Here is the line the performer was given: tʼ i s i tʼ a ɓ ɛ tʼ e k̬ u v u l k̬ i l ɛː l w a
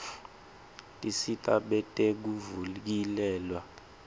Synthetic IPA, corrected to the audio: tʼ i s i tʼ a ɓ ɛ tʼ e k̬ u v u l k̬ i l ɛː l w a